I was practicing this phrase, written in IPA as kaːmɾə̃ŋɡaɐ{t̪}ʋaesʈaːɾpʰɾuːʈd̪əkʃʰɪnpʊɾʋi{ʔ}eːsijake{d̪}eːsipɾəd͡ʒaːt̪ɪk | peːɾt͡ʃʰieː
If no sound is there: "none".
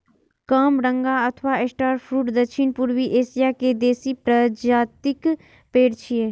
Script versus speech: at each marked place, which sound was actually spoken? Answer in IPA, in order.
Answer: t̪ʰ, ʔ, d̪

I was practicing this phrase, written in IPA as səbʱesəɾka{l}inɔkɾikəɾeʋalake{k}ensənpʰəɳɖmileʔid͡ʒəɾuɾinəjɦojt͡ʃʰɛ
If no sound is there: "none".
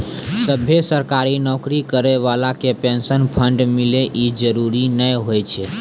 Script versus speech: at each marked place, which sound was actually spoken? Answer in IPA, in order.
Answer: ɾ, p

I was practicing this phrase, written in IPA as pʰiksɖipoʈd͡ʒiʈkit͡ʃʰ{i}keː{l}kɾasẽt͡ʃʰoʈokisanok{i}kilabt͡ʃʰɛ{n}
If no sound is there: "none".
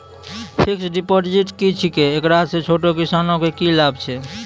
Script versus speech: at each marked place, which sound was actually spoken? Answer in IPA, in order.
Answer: i, none, e, none

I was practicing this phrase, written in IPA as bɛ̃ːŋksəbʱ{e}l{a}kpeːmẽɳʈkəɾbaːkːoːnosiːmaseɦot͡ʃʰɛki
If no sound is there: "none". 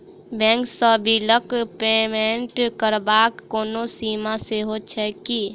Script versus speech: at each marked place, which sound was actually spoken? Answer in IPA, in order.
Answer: i, ə

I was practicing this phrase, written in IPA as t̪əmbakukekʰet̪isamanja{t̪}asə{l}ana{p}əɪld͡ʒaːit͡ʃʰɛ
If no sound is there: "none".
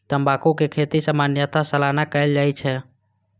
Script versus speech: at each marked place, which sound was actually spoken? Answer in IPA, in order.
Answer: t̪, l, k

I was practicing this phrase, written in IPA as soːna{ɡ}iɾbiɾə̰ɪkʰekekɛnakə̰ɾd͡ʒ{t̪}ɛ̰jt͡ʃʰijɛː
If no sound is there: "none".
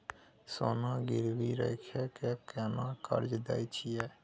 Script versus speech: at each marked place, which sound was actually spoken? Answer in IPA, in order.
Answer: ɡ, d̪

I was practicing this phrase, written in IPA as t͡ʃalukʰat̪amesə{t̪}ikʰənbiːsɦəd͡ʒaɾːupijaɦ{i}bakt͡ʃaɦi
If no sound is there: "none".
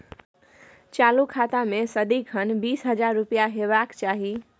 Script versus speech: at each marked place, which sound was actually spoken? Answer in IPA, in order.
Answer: d̪, e

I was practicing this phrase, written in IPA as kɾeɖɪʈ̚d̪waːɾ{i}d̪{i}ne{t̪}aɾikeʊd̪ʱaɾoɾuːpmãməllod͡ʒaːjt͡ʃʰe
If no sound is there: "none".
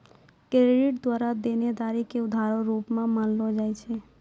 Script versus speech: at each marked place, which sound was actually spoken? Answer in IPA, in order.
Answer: a, e, d̪

